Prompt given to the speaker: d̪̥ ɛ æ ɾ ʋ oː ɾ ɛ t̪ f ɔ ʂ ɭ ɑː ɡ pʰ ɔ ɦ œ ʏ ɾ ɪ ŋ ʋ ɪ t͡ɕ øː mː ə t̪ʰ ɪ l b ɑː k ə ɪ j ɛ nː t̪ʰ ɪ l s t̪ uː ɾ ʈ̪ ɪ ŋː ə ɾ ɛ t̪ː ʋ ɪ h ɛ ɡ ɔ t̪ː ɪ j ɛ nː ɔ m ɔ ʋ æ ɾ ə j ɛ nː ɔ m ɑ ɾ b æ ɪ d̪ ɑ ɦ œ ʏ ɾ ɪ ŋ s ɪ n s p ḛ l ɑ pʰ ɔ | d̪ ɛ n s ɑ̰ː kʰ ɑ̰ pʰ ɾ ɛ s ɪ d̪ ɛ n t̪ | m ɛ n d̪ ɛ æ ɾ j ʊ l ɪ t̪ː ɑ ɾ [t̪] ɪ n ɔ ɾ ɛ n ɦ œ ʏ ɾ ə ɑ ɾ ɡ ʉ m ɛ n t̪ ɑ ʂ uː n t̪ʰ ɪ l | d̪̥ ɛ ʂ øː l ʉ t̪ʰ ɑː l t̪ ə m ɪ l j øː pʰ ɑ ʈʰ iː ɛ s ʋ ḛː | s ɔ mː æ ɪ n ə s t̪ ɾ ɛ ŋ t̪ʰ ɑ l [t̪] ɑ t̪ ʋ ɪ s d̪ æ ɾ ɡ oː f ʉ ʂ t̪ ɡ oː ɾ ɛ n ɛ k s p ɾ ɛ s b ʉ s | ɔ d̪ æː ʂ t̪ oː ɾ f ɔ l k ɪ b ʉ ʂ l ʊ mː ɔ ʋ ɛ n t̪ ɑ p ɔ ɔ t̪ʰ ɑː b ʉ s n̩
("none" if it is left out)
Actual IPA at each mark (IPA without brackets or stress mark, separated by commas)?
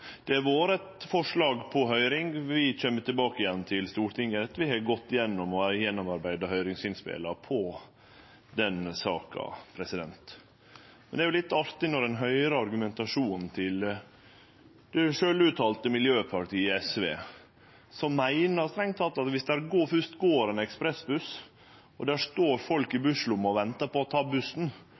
t̪, t̪